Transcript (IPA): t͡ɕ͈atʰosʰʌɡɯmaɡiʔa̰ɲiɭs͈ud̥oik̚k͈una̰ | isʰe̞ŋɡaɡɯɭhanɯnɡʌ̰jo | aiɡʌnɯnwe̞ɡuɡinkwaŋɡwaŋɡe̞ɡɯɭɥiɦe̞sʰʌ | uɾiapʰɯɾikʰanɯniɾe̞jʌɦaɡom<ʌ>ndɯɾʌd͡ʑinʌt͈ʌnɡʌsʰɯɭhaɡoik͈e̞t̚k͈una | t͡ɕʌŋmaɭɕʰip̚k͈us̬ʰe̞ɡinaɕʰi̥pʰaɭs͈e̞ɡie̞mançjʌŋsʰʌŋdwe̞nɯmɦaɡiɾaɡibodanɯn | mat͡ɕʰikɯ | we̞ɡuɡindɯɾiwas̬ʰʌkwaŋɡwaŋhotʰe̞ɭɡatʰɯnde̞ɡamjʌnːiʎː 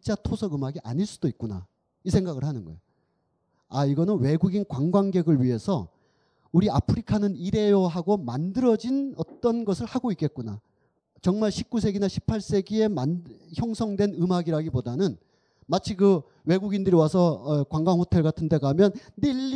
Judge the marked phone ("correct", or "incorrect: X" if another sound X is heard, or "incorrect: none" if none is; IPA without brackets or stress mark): incorrect: a